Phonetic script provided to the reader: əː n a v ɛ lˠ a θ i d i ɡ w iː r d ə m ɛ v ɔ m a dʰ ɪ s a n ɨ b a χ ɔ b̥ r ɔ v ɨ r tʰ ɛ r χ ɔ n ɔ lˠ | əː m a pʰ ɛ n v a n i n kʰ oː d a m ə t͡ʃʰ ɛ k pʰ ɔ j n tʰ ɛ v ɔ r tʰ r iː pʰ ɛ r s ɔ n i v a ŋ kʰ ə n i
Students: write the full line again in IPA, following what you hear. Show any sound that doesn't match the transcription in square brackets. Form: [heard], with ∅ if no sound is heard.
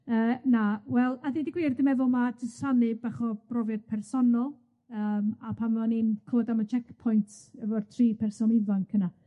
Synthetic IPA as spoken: əː n a [w] ɛ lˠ a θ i d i ɡ w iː r d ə m ɛ v ɔ m a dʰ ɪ s a n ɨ b a χ ɔ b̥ r ɔ v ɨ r [pʰ] ɛ r [s] ɔ n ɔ lˠ | əː m a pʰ [a] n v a n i n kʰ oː d a m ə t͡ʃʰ ɛ k pʰ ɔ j n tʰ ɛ v ɔ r tʰ r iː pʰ ɛ r s ɔ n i v a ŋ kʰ ə n [a]